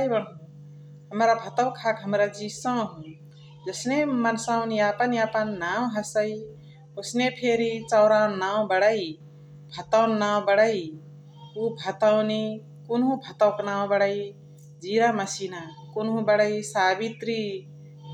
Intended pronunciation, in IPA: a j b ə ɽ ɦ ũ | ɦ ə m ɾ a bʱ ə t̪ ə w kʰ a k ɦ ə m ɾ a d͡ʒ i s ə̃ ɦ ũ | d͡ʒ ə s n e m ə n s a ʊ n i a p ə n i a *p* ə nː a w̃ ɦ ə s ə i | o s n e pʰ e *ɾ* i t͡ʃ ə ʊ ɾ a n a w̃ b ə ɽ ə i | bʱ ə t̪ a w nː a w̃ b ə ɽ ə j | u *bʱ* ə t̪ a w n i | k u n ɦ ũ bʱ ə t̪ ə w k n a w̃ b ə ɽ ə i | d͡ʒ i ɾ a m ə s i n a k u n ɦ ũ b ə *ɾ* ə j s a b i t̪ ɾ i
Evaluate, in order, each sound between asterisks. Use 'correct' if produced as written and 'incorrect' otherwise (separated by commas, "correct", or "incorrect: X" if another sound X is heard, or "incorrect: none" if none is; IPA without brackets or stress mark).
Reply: correct, correct, correct, incorrect: ɽ